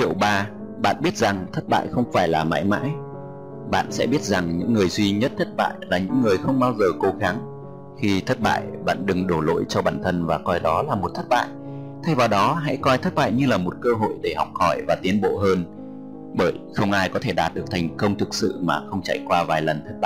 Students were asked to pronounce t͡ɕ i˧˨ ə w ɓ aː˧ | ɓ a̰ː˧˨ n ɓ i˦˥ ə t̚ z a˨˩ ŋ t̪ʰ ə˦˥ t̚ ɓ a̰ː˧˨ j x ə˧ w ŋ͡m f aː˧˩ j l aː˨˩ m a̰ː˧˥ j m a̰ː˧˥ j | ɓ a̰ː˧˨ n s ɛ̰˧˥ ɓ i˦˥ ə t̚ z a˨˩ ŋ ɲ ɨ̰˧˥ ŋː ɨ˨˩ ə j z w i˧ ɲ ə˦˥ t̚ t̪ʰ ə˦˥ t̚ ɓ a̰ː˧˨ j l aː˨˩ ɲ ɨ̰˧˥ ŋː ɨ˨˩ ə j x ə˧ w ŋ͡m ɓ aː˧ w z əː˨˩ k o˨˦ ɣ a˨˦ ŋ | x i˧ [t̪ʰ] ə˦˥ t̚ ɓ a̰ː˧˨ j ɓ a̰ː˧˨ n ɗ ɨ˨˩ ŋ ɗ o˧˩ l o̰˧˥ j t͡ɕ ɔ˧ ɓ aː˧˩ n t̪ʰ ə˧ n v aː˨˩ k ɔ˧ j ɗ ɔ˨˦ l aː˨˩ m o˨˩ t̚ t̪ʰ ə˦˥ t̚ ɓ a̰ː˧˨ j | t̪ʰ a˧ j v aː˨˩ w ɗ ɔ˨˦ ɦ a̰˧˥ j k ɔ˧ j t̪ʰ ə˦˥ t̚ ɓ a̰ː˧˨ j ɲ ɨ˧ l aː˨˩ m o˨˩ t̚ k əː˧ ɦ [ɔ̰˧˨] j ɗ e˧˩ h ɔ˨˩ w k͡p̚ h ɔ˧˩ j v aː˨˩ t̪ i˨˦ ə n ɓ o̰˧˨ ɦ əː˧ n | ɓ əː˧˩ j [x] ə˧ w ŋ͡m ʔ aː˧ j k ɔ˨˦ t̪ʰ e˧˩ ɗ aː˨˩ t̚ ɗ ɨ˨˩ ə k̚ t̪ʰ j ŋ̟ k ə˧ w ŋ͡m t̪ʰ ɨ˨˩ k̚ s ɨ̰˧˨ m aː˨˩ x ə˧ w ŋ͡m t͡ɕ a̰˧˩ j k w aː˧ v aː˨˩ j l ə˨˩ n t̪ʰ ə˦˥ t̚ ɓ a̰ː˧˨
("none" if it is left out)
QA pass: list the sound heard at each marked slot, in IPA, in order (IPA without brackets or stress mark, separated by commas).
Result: t̪ʰ, o̰˧˨, x